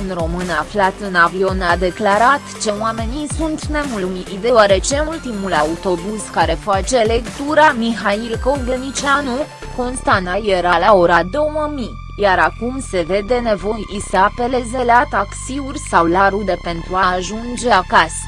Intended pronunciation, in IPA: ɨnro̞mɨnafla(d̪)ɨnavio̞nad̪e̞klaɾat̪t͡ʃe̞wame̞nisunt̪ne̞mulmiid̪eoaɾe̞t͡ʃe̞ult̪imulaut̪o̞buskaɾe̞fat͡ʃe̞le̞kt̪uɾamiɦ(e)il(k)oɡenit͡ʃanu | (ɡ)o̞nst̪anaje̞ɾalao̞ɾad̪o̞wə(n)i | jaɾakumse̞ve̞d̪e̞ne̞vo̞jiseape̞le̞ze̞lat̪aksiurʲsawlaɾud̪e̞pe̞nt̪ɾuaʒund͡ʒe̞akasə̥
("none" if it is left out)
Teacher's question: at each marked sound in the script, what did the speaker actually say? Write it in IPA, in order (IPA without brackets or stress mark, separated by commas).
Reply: t̪, a, k, k, m